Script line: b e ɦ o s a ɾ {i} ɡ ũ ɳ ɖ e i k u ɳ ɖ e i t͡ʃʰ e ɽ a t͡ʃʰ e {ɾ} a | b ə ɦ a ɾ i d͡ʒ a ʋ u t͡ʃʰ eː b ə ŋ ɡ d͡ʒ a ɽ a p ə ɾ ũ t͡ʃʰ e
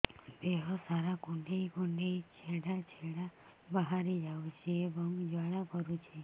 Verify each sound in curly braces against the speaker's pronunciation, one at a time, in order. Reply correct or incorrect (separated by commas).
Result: incorrect, incorrect